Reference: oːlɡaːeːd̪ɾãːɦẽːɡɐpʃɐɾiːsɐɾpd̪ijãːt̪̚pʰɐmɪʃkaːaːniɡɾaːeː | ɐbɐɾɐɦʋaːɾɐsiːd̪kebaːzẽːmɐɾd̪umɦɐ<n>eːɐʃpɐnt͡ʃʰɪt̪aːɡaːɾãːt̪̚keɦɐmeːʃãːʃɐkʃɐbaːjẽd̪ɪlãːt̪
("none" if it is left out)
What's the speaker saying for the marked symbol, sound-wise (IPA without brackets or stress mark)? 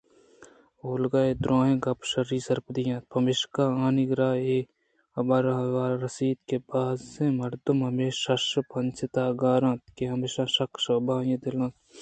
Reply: m